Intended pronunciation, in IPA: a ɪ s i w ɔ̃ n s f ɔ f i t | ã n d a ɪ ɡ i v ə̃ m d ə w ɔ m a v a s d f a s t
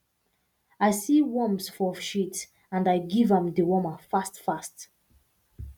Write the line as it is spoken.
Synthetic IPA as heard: a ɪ s i w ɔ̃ m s f ɔ ʃ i t | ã n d a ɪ ɡ i v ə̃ m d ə w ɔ m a f a s t f a s t